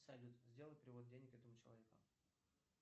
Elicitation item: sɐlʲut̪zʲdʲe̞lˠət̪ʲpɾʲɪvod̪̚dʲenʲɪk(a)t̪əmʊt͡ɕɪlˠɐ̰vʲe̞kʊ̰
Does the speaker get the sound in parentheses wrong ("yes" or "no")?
yes